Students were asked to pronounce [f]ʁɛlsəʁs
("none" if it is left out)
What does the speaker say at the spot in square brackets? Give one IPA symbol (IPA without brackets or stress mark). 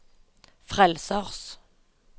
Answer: f